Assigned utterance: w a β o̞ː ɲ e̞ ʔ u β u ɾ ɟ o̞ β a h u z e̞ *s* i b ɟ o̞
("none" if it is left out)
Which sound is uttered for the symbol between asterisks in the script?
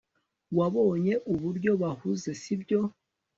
s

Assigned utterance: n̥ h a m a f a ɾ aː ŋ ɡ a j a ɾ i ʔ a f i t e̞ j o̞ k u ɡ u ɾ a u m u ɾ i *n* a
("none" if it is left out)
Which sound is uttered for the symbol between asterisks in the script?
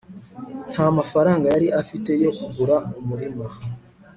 m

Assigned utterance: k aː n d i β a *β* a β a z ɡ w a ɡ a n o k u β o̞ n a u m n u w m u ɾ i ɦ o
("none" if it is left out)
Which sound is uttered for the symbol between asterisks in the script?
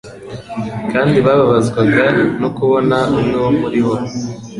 β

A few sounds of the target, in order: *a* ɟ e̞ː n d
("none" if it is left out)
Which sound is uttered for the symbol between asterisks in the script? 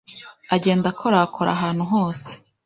a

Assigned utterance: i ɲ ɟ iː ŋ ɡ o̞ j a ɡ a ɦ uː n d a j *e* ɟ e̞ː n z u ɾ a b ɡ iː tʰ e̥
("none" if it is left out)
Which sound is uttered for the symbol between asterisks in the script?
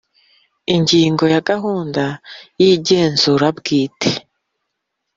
i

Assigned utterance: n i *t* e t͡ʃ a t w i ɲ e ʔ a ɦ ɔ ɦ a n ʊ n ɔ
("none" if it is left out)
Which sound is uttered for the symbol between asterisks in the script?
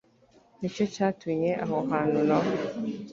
t͡ʃ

